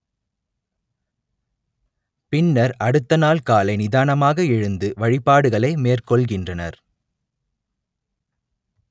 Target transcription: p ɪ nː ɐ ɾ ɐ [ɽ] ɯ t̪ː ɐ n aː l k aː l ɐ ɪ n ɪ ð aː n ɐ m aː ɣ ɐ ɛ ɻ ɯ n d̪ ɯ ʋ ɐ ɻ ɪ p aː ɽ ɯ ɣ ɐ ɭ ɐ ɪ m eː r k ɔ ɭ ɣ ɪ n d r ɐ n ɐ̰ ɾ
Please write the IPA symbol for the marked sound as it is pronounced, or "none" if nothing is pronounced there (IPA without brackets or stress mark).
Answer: ɽ